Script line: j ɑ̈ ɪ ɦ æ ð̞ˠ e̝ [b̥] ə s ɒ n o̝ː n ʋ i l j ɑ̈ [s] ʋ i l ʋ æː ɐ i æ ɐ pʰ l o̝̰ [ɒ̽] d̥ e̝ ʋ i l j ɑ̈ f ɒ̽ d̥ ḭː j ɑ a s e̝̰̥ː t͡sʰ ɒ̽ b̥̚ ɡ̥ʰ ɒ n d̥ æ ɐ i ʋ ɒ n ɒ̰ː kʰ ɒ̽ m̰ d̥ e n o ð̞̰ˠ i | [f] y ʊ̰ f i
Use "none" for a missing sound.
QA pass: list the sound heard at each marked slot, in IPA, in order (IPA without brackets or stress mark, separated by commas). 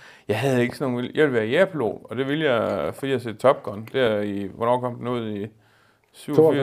ɡ̥, none, ɒ̽, s